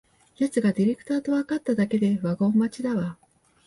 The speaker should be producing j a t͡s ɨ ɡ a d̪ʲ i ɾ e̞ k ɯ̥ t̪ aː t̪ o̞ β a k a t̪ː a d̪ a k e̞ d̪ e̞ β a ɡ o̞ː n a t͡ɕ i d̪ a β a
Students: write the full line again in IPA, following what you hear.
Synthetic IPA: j a t͡s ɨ ɡ a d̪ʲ i ɾ e̞ k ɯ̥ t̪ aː t̪ o̞ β a k a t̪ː a d̪ a k e̞ d̪ e̞ β a ɡ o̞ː m a t͡ɕ i d̪ a β a